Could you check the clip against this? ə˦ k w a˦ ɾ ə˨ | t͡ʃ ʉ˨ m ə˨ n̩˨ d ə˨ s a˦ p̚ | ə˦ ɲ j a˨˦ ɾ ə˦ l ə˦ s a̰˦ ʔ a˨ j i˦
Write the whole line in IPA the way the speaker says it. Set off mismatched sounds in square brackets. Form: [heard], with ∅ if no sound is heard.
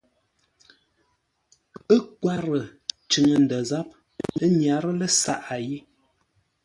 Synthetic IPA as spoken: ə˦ k w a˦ ɾ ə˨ | t͡ʃ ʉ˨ [ŋ] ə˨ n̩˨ d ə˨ [z] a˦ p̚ | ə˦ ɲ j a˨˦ ɾ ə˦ l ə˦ s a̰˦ ʔ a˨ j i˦